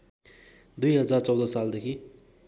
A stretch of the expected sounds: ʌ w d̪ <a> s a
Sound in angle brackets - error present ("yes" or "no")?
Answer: yes